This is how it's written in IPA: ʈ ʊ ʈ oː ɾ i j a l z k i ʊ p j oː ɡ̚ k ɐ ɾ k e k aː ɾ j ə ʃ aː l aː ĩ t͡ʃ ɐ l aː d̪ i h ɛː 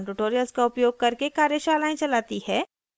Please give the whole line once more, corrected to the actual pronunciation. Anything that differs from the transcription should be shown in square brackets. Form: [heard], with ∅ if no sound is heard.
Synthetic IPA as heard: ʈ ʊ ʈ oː ɾ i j [ə] l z k [a] ʊ p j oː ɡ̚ k ɐ ɾ k e k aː ɾ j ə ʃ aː l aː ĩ t͡ʃ ɐ l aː [t̪] i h ɛː